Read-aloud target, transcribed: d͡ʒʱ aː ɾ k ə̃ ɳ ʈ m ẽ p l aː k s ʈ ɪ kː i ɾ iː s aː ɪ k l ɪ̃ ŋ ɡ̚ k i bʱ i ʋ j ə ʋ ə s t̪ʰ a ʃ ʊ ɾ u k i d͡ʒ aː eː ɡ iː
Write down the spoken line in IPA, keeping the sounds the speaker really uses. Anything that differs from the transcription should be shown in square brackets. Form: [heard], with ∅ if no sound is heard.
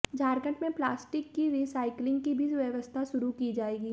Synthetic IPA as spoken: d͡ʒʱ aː ɾ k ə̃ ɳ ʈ m ẽ p l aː [∅] s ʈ ɪ kː i ɾ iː s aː ɪ k l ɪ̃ ŋ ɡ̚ k i bʱ i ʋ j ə ʋ ə s t̪ʰ a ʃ ʊ ɾ u k i d͡ʒ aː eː ɡ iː